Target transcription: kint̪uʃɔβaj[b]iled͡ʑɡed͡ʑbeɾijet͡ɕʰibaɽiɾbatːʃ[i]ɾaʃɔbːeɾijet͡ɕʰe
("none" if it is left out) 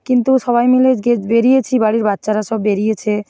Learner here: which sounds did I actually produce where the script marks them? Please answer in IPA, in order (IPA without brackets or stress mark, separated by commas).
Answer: m, a